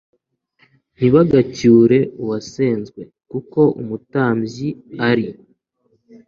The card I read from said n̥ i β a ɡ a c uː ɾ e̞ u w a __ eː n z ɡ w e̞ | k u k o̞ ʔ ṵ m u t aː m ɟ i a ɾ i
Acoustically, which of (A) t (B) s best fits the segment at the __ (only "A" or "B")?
B